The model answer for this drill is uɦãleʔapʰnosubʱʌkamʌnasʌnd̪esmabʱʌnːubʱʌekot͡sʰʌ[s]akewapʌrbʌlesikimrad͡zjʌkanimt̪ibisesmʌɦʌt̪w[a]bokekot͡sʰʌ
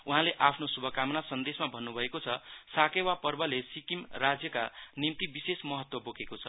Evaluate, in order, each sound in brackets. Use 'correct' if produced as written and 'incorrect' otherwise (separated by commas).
correct, incorrect